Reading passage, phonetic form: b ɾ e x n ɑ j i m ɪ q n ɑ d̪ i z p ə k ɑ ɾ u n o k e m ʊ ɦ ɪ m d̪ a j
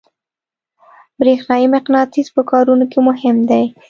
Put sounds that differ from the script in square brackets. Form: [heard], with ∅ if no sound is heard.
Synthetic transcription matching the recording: b ɾ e x n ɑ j i m ɪ q n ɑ [t̪] i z p ə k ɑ ɾ u n o k e m ʊ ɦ ɪ m d̪ a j